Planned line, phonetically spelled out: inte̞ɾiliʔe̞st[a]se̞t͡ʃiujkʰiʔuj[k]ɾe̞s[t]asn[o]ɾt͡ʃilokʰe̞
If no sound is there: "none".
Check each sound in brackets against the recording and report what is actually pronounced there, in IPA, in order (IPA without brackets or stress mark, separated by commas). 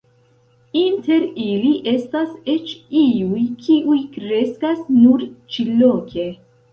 a, k, k, u